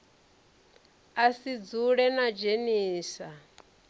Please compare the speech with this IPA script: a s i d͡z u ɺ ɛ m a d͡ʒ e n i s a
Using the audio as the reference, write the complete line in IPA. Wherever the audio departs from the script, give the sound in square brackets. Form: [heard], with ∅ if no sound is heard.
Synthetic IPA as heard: a s i d͡z u ɺ ɛ [n] a d͡ʒ e n [iː] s a